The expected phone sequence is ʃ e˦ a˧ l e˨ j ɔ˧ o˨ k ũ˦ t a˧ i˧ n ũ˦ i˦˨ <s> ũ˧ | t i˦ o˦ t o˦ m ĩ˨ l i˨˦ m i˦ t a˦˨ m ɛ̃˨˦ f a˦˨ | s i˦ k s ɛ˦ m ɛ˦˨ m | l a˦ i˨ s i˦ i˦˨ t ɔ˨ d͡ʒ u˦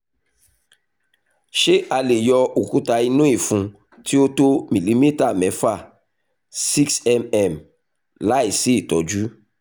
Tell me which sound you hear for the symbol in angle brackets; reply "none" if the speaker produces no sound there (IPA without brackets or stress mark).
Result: f